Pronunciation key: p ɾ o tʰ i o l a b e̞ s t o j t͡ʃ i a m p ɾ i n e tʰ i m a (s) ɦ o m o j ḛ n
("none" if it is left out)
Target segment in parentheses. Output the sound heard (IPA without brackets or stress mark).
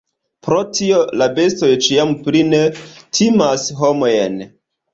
s